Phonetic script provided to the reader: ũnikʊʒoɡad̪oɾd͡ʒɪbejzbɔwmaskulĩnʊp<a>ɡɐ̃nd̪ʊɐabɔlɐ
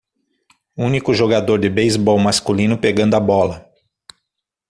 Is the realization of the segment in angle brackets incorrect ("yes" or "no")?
yes